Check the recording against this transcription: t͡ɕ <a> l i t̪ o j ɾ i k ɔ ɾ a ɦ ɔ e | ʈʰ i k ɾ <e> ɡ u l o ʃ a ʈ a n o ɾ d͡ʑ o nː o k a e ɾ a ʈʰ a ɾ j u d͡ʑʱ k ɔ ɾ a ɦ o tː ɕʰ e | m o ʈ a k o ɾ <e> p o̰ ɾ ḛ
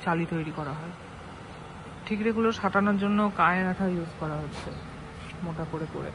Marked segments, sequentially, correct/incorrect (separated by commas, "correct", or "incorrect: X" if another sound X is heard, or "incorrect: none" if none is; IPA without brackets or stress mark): correct, correct, correct